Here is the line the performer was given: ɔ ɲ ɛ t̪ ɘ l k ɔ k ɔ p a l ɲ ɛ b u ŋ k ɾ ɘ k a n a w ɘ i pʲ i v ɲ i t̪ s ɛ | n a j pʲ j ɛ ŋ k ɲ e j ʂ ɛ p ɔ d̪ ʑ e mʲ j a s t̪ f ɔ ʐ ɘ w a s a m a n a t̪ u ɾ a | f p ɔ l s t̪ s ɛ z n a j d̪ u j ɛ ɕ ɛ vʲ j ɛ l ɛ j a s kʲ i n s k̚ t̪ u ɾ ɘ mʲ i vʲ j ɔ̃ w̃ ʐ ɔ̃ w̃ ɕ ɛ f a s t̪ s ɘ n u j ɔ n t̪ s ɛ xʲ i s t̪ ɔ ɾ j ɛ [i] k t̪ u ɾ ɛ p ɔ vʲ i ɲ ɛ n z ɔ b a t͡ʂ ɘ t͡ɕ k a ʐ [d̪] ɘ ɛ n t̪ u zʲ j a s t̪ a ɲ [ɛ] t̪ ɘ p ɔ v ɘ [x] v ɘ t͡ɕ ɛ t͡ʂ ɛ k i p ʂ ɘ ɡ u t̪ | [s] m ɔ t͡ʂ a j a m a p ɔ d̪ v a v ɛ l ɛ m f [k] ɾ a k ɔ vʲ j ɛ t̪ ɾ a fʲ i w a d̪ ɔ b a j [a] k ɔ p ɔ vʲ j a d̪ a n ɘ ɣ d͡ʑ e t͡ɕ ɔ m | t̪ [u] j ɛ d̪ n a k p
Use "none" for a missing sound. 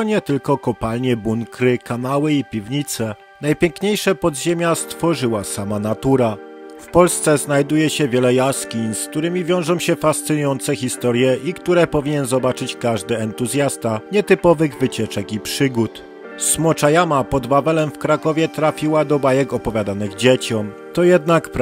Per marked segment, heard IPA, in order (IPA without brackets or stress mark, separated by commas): i, d̪, ɛ, ɣ, s, k, ɛ, ɔ